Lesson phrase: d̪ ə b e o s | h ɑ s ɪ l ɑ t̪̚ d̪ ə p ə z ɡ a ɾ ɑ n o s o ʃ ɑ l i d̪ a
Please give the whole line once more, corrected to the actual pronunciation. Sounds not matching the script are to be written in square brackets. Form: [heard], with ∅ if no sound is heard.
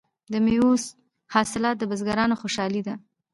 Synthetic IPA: d̪ ə [m] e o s | h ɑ s ɪ l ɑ t̪̚ d̪ ə [b] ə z ɡ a ɾ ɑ n o [x] o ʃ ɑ l i d̪ a